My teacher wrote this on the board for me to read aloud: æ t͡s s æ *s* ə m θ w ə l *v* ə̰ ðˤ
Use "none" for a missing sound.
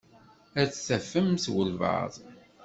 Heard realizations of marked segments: f, v

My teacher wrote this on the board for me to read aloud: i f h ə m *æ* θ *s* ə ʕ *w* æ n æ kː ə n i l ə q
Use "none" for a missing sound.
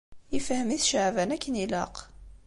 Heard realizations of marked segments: i, ʃ, v

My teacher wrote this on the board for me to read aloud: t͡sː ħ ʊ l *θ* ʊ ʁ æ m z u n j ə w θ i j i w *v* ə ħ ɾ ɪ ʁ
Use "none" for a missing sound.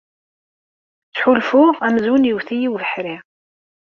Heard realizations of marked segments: f, v

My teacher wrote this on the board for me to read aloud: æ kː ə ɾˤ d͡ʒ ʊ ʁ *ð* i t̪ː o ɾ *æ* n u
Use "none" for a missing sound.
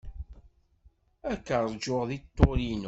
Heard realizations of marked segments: ð, i

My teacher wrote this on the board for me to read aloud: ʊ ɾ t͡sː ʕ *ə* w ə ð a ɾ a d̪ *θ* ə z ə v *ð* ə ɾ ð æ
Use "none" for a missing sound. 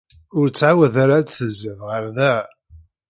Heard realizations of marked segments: a, θ, ʁ

